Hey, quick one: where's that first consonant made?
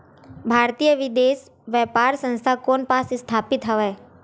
lips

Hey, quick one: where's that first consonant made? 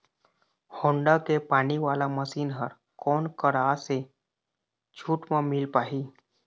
throat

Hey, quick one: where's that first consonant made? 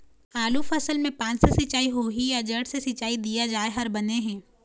tongue tip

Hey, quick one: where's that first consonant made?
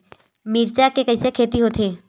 lips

